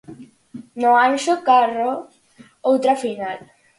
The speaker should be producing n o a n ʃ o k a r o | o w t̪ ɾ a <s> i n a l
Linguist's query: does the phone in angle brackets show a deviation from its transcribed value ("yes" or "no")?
yes